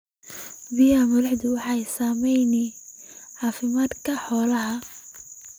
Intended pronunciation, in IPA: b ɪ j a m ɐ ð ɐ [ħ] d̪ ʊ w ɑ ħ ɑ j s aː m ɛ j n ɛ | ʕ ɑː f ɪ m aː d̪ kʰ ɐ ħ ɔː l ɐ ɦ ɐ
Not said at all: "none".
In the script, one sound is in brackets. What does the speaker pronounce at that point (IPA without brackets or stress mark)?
ħ